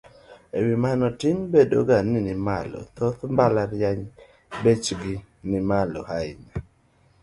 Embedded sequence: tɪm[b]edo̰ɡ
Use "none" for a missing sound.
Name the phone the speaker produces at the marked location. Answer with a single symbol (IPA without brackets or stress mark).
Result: b